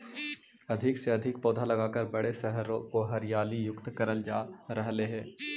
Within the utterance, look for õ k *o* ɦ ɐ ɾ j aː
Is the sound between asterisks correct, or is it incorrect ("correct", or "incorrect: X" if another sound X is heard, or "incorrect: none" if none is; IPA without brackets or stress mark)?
correct